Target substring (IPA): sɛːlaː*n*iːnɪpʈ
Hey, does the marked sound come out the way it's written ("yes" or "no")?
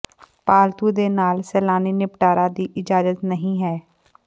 yes